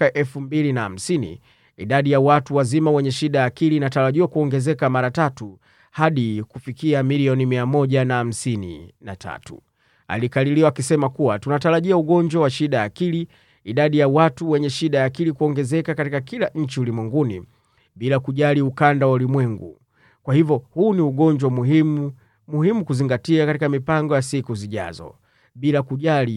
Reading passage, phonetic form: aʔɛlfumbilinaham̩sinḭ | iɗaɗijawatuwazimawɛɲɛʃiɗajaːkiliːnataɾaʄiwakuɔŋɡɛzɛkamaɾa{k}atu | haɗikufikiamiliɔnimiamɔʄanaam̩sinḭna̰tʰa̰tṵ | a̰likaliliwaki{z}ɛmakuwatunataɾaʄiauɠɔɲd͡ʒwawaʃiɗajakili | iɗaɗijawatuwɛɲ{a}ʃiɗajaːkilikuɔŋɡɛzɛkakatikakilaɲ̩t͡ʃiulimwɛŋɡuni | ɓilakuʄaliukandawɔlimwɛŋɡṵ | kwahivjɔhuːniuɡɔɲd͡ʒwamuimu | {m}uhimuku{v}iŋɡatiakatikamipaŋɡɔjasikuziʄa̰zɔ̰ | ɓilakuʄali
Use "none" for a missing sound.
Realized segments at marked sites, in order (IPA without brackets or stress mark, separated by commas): t, s, ɛ, m, z